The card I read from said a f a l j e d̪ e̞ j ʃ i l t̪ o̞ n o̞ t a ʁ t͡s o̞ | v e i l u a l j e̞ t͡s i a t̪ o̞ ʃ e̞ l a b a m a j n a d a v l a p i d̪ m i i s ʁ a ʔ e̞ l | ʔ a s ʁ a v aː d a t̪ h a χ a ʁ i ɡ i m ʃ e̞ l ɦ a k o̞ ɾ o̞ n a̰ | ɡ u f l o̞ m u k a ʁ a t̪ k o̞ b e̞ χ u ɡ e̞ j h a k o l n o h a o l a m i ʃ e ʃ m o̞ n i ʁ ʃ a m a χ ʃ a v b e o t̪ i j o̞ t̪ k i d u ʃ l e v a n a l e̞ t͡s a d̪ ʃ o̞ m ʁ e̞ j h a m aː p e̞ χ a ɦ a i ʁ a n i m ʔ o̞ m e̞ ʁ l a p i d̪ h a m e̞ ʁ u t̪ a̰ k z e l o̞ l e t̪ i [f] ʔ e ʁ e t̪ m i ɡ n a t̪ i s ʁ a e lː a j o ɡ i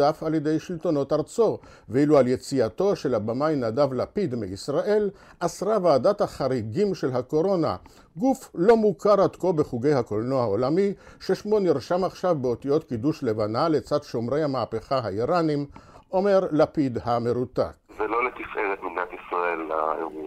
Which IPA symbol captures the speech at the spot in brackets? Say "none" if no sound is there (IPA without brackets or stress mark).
f